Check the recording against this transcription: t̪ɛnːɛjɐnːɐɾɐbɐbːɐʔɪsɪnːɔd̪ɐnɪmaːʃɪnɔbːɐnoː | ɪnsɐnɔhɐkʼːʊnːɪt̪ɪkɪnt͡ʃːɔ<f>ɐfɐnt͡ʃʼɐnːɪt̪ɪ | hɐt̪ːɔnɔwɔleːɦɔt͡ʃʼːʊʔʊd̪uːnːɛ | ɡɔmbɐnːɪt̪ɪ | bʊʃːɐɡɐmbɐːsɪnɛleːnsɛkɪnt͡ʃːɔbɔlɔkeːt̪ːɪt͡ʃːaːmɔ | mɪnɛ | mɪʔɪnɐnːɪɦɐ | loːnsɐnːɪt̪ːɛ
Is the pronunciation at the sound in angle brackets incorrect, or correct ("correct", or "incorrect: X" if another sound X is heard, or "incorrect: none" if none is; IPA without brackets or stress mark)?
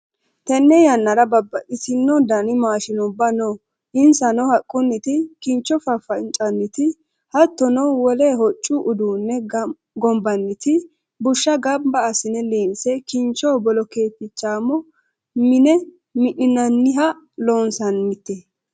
correct